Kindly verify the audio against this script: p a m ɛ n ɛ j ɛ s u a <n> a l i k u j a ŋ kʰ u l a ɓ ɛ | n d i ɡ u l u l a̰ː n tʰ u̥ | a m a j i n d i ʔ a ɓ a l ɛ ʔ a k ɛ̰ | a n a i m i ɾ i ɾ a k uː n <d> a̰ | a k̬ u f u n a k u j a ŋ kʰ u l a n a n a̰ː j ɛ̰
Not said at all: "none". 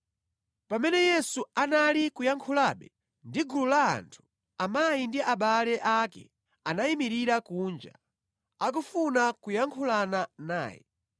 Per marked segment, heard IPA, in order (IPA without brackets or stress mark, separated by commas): n, d͡ʒ